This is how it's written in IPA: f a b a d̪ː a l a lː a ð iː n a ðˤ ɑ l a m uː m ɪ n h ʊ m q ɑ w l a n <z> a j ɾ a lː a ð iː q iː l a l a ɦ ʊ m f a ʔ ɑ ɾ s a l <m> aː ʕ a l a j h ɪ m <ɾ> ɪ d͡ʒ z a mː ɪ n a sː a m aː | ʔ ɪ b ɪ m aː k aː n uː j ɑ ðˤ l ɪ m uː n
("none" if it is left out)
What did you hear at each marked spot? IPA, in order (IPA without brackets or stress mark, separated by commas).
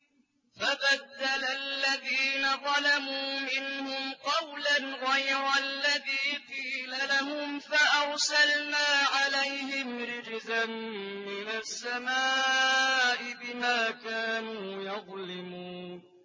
ɣ, n, ɾ